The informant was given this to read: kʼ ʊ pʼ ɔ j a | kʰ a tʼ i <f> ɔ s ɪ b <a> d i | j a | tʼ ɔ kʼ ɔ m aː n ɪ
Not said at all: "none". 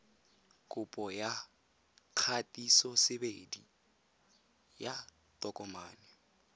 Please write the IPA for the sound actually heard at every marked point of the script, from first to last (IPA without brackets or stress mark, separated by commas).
s, e